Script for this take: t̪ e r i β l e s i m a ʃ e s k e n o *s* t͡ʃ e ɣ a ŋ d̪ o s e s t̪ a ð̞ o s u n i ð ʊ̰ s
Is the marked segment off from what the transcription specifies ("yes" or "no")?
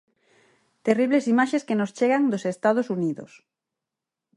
no